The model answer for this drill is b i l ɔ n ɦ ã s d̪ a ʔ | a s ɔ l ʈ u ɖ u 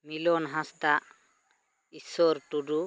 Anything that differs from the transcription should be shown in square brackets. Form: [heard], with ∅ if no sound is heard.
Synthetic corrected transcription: [m] i l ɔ n ɦ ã s [t̪] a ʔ | [i] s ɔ [ɾ] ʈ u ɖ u

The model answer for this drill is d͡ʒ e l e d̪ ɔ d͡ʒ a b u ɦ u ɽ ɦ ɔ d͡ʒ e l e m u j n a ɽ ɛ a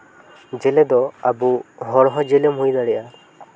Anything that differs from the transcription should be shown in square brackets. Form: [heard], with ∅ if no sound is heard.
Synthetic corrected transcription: d͡ʒ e l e d̪ ɔ [∅] a b u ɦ [ɔ] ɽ ɦ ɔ d͡ʒ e l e m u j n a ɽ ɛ a

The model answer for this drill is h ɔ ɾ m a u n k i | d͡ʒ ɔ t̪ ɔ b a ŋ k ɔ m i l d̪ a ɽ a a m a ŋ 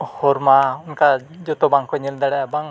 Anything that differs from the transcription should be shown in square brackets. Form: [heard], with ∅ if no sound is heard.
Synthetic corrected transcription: h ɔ ɾ m a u n k [a] | d͡ʒ ɔ t̪ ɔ b a ŋ k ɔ [ɲ] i l d̪ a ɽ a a [b] a ŋ

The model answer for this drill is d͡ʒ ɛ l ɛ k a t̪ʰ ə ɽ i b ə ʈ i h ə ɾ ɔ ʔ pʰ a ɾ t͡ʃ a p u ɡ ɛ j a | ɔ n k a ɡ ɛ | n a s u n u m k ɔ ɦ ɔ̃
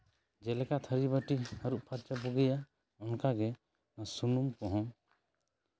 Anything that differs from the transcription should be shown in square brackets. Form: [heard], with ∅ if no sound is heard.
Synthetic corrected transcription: d͡ʒ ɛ l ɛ k a t̪ʰ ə [ɾ] i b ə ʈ i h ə ɾ [u] ʔ pʰ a ɾ t͡ʃ a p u ɡ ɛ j a | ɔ n k a ɡ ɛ | n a s u n u m k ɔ ɦ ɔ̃

